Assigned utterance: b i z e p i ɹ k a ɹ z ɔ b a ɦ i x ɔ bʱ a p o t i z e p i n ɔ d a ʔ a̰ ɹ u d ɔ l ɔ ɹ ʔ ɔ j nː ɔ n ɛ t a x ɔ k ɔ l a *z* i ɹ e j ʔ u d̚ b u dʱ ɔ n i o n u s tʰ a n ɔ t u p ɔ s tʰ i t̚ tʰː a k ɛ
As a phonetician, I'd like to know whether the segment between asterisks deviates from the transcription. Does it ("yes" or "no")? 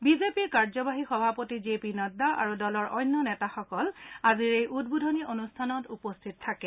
no